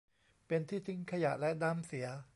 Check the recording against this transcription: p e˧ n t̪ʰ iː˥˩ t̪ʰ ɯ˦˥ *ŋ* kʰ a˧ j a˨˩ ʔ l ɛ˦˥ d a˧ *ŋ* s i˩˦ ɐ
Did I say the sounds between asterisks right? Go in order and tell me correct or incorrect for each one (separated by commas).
correct, incorrect